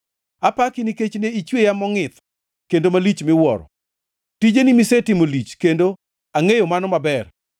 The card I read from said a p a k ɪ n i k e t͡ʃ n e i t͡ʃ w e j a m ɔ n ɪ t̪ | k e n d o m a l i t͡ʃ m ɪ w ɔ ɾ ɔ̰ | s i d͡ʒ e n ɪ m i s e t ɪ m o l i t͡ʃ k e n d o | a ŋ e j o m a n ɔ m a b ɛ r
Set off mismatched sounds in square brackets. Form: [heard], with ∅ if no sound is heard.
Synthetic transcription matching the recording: a p a k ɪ n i k e t͡ʃ n e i t͡ʃ w e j a m ɔ [ŋ] ɪ t̪ | k e n d o m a l i t͡ʃ m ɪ w ɔ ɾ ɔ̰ | [t] i d͡ʒ e n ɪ m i s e t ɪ m o l i t͡ʃ k e n d o | a ŋ e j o m a n ɔ m a b ɛ r